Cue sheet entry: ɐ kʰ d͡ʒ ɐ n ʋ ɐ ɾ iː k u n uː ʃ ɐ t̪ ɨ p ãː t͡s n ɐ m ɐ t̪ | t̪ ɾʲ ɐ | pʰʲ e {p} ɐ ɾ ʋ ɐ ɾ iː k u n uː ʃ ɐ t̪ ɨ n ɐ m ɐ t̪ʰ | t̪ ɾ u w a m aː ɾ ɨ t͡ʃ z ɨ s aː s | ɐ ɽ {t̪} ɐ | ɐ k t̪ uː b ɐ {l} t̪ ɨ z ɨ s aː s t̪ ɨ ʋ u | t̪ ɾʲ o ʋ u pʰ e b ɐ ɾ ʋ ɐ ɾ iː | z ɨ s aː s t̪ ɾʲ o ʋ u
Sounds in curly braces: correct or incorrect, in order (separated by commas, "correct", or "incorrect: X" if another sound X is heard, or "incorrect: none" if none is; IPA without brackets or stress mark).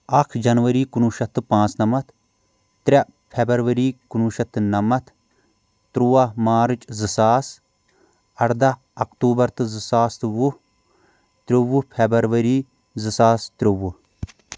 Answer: incorrect: b, incorrect: d̪, incorrect: ɾ